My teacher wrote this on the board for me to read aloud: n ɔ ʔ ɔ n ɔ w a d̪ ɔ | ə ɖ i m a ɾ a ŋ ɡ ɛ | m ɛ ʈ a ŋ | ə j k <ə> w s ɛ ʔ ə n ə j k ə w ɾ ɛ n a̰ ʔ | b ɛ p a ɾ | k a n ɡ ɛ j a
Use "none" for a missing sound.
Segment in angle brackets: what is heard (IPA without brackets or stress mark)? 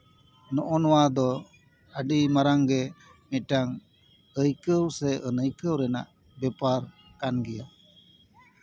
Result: ə